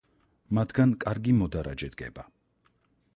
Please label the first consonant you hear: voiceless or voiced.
voiced